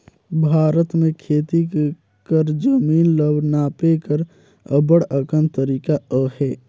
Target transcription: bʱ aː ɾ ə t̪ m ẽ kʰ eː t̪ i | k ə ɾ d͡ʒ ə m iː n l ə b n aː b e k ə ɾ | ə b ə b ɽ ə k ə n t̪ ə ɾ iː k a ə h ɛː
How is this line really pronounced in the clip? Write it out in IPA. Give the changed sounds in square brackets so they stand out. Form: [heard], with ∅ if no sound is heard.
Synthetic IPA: bʱ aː ɾ ə t̪ m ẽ kʰ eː t̪ i | k ə ɾ d͡ʒ ə m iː n l ə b n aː [p] e k ə ɾ | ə b ə [∅] ɽ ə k ə n t̪ ə ɾ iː k a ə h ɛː